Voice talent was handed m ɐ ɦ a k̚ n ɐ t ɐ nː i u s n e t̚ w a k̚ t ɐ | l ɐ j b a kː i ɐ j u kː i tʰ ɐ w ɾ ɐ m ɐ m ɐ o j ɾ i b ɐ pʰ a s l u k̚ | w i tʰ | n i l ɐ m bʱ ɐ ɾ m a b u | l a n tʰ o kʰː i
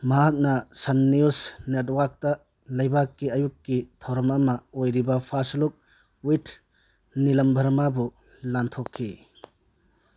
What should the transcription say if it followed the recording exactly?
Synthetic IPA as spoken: m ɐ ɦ a k̚ n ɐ s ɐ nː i u s n e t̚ w a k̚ t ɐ | l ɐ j b a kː i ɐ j u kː i tʰ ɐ w ɾ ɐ m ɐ m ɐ o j ɾ i b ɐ pʰ a s l u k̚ | w i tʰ | n i l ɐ m bʱ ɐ ɾ m a b u | l a n tʰ o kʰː i